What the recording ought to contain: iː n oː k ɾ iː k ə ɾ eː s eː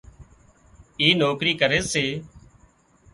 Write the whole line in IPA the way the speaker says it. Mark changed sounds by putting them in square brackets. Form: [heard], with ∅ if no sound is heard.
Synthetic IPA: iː n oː k ɾ iː k ə ɾ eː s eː